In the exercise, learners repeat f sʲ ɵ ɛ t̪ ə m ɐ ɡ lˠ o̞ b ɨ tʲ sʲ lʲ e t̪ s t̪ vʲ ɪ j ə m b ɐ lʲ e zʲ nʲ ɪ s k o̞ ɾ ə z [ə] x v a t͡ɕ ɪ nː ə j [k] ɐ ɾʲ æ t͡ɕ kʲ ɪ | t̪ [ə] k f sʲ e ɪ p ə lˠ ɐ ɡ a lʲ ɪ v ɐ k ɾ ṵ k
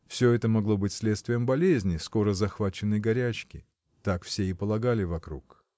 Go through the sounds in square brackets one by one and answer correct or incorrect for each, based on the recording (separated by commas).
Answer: incorrect, incorrect, incorrect